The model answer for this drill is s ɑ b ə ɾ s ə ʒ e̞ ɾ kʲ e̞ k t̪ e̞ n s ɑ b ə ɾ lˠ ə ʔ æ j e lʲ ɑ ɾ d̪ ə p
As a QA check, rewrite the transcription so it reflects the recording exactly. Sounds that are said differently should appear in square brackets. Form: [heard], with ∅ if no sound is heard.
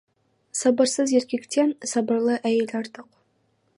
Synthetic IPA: s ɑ b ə ɾ s ə [z] e̞ ɾ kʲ e̞ k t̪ e̞ n s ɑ b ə ɾ lˠ ə ʔ æ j e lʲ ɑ ɾ [t̪] ə [q]